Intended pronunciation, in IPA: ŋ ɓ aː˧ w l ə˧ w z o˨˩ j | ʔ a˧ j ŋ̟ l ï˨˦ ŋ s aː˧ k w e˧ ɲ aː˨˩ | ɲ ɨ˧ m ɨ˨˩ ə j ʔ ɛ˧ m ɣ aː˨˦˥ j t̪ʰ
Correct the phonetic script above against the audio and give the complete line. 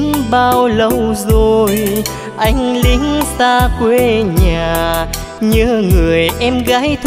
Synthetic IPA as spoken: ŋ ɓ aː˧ w l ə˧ w z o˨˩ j | ʔ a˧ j ŋ̟ l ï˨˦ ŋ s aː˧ k w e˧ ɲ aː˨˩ | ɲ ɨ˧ ŋ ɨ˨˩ ə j ʔ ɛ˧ m ɣ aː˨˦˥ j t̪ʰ

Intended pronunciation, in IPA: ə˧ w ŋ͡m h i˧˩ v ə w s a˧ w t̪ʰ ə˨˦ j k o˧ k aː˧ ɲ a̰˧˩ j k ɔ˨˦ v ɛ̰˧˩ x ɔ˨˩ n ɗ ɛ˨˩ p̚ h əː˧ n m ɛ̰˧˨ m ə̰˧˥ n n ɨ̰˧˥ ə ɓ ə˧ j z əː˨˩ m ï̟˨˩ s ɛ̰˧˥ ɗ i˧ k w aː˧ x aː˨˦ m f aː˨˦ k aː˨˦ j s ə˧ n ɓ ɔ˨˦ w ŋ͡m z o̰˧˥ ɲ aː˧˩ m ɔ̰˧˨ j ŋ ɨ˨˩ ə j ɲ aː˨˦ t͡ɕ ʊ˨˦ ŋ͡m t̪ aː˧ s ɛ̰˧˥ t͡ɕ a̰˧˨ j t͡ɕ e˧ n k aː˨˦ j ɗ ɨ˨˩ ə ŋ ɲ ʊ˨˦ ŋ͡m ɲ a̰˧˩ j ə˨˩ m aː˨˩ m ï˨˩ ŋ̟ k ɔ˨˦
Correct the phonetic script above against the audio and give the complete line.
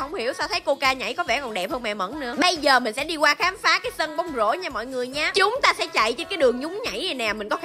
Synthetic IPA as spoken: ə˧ w ŋ͡m h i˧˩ ə w s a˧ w t̪ʰ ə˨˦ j k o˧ k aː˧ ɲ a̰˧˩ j k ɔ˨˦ v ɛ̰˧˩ k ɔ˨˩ n ɗ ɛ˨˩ p̚ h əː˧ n m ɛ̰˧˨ m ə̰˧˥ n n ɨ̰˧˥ ə ɓ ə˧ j z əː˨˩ m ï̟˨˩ s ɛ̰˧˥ ɗ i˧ k w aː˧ x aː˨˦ m f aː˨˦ k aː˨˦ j s ə˧ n ɓ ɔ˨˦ w ŋ͡m z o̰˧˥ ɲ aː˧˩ m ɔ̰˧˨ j ŋ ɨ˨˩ ə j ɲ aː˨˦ t͡ɕ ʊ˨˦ ŋ͡m t̪ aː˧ s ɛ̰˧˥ t͡ɕ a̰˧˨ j t͡ɕ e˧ n k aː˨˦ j ɗ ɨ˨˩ ə ŋ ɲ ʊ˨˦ ŋ͡m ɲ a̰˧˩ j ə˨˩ n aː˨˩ m ï˨˩ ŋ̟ k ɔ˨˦

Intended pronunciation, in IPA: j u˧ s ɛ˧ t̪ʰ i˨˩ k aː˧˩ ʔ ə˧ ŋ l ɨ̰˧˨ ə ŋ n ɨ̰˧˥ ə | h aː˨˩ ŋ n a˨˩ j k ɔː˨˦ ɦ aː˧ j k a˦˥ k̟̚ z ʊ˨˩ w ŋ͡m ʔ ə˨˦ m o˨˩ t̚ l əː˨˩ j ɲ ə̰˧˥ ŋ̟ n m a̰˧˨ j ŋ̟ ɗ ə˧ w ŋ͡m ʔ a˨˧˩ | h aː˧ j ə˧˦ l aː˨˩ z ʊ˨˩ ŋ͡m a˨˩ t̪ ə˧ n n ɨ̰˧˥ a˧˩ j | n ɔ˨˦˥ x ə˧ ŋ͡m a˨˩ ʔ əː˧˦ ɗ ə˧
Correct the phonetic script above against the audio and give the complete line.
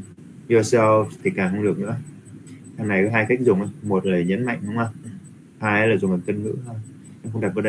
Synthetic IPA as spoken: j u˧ s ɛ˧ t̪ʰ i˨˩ k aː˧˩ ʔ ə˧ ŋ l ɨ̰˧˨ ə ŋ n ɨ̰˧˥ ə | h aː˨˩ ŋ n a˨˩ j k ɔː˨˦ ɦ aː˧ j k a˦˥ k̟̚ z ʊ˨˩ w ŋ͡m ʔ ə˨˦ m o˨˩ t̚ l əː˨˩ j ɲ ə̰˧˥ n m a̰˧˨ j ŋ̟ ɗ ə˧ w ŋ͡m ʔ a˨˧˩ | h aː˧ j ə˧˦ l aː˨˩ z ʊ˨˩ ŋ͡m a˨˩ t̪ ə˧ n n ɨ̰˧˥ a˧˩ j | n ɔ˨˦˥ x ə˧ ŋ͡m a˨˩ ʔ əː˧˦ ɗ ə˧

